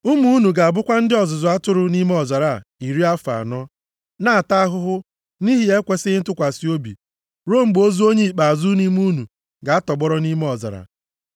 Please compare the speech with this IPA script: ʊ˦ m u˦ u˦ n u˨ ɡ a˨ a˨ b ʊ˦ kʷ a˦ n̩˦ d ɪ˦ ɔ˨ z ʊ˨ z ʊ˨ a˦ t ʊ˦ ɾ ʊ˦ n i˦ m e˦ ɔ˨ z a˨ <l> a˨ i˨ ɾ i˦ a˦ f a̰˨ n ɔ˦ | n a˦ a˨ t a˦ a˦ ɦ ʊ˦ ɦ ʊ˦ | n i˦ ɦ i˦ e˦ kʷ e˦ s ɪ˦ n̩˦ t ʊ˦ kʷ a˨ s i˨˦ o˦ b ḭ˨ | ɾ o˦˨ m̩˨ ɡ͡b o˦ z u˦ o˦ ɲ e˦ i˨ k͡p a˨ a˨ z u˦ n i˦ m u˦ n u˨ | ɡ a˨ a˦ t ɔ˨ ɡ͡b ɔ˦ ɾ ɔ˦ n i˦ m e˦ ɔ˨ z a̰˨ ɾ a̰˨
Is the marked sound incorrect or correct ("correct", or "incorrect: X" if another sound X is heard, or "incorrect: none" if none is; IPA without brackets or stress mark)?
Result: incorrect: ɾ